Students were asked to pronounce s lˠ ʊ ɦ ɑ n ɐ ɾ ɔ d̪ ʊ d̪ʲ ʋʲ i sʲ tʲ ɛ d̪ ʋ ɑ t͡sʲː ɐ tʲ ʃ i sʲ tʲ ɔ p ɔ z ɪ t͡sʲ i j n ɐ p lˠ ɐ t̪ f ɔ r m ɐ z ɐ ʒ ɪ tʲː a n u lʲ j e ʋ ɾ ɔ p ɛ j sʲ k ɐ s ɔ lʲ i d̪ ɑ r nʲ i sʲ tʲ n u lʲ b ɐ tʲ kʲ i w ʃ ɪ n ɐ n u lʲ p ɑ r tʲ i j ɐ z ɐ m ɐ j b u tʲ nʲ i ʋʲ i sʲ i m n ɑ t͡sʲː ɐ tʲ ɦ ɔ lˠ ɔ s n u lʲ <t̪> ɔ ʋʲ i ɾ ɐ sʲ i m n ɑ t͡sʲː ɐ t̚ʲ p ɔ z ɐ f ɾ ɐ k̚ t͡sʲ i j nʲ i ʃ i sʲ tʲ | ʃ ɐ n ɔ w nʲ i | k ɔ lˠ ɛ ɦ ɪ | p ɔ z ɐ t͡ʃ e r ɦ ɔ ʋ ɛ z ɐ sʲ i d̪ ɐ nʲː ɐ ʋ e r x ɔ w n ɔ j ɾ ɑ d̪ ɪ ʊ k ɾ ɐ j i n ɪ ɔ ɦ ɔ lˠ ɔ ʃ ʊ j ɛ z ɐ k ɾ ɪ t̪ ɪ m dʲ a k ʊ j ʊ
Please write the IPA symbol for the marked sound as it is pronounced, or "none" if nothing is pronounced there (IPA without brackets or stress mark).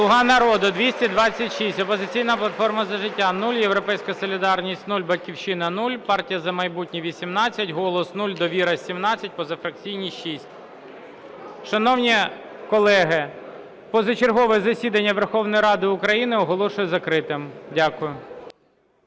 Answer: d̪